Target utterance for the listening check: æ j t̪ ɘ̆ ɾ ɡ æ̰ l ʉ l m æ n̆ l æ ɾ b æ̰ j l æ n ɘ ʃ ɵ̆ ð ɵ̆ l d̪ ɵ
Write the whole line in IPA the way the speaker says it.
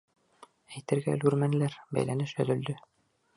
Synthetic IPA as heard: æ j t̪ ɘ̆ ɾ ɡ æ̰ l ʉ ɾ m æ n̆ l æ ɾ b æ̰ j l æ n ɘ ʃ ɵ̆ ð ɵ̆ l d̪ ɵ